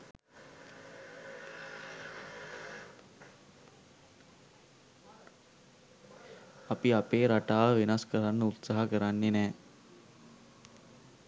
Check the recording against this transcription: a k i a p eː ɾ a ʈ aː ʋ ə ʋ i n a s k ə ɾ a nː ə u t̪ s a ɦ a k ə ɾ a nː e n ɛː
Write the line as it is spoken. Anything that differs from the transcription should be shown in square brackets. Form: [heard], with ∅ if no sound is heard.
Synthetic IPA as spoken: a [p] i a p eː ɾ a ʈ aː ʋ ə ʋ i n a s k ə ɾ a nː ə u t̪ s a ɦ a k ə ɾ a nː e n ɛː